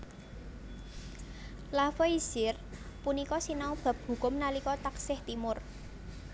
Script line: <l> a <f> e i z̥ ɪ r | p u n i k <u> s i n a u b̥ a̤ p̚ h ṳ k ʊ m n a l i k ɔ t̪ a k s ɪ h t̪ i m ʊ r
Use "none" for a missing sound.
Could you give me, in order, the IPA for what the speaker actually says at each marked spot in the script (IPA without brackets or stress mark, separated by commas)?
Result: l, f, ɔ